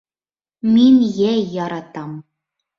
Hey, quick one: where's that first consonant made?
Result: lips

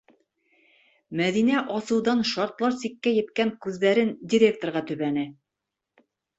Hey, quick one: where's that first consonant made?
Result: lips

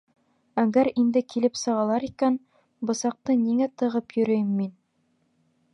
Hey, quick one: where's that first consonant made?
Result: velum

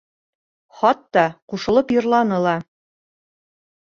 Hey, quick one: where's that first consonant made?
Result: uvula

